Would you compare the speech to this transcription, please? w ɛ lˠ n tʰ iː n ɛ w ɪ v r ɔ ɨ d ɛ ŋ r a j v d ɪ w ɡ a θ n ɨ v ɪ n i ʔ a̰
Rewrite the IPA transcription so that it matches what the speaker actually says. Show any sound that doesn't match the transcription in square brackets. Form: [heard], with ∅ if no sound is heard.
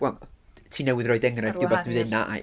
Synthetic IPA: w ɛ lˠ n tʰ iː n ɛ w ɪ [ð] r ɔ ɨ d ɛ ŋ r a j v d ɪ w [b] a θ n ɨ [ð] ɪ n [a] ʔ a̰

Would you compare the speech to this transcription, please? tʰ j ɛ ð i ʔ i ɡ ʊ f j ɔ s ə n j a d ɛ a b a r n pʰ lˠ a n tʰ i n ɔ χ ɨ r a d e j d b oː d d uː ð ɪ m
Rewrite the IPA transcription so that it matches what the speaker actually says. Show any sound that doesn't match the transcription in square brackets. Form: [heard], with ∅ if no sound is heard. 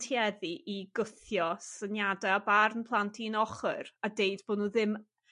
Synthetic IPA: tʰ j ɛ ð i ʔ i ɡ ʊ [θ] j ɔ s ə n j a d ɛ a b a r n pʰ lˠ a n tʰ i n ɔ χ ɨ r a d e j d b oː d [n] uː ð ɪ m

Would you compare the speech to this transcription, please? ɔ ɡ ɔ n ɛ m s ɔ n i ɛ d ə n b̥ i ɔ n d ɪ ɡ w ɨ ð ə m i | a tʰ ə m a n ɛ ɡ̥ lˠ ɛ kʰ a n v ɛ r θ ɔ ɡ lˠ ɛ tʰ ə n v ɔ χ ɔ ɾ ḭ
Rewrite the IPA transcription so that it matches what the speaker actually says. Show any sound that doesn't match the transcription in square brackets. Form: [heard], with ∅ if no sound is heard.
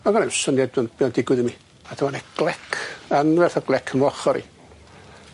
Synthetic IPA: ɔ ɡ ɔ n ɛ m s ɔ n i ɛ d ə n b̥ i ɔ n d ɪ ɡ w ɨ ð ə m i | a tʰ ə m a n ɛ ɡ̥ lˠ ɛ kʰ a n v ɛ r θ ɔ ɡ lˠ ɛ [kʰ] ə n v ɔ χ ɔ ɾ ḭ

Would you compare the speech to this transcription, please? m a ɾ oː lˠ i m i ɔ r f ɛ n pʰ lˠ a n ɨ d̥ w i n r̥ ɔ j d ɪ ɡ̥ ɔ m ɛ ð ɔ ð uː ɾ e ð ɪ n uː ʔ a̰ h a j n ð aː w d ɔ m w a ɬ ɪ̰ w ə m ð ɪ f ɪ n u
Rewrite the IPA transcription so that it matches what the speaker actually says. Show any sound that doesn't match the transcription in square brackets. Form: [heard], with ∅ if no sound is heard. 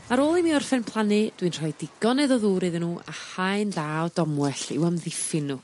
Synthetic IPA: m a ɾ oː lˠ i m i ɔ r f ɛ n pʰ lˠ a n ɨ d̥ w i n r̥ ɔ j d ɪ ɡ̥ ɔ [n] ɛ ð ɔ ð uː ɾ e ð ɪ n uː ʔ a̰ h a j n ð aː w d ɔ m w [ɛ] ɬ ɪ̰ w ə m ð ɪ f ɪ n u

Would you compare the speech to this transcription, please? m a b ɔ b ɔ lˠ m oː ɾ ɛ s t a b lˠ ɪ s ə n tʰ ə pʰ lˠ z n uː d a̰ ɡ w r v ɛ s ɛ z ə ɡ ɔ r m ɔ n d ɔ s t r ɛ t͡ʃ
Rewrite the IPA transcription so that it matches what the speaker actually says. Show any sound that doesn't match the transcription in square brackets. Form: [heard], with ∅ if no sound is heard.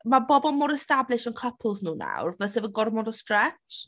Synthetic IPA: m a b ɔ b ɔ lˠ m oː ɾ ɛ s t a b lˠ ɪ [ʃ] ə n [kʰ] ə pʰ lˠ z n uː [n] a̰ [∅] w r v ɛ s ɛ [v] ə ɡ ɔ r m ɔ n d ɔ s t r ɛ t͡ʃ

